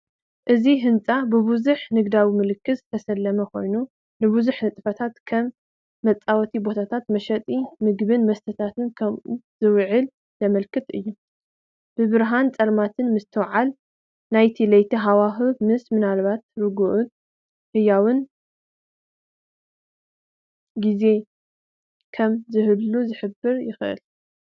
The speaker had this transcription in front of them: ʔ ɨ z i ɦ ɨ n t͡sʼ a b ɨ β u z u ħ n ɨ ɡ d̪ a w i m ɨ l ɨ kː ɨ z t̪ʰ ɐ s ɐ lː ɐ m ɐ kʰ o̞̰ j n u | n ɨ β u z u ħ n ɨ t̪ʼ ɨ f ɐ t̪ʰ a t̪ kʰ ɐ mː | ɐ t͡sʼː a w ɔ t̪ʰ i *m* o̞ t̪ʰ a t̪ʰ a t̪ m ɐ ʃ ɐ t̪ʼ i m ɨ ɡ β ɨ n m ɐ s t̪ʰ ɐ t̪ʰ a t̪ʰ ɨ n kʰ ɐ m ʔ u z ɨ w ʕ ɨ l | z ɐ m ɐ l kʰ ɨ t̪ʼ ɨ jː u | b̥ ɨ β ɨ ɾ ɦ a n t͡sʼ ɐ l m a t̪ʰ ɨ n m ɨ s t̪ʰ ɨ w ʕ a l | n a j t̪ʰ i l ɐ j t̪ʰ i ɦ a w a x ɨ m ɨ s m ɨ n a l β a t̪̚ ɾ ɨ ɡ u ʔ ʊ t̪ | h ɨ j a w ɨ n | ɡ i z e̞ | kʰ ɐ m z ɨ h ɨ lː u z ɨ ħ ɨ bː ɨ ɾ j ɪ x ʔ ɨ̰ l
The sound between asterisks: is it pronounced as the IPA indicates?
no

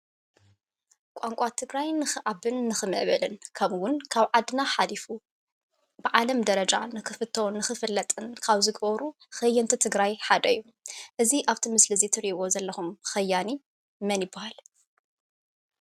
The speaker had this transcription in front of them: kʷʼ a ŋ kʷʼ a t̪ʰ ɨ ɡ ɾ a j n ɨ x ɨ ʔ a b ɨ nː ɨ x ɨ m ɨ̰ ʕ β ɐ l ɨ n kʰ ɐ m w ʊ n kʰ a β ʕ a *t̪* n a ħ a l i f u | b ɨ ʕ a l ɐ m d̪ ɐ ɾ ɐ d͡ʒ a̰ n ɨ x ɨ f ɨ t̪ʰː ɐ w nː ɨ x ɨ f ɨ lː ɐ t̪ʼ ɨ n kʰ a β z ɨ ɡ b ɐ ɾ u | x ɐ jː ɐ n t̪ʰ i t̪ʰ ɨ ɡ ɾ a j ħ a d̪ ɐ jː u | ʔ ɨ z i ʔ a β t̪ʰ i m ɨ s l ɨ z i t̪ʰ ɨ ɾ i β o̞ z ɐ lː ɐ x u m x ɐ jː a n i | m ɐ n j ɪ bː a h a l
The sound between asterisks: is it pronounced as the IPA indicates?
no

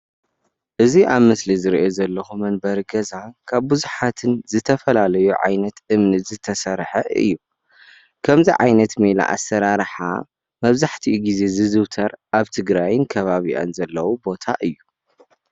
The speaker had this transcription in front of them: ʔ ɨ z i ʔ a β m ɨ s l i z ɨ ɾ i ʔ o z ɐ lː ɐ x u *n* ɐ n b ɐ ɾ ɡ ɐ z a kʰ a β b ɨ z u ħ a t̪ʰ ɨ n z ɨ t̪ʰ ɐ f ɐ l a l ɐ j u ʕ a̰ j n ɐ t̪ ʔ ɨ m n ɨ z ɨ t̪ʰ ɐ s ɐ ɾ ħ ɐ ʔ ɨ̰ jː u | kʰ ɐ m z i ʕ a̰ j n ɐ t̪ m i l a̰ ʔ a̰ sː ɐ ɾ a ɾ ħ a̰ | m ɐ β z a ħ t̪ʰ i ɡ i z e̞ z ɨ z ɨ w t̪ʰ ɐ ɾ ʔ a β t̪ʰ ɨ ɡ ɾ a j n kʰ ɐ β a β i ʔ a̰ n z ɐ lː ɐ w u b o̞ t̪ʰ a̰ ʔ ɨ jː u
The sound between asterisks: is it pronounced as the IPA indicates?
no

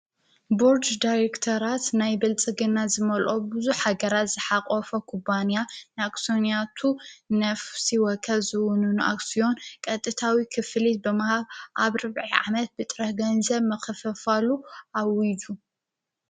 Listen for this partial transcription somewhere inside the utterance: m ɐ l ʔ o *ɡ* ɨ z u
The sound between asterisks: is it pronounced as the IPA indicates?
no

